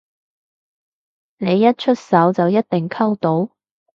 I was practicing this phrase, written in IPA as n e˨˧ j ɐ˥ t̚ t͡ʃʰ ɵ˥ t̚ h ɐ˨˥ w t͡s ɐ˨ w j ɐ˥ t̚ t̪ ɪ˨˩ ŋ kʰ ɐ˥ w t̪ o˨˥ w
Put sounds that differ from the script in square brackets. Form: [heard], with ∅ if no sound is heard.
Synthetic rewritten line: n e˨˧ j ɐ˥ t̚ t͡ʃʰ ɵ˥ t̚ [s] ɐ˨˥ w t͡s ɐ˨ w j ɐ˥ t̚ t̪ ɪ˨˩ ŋ kʰ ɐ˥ w t̪ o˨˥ w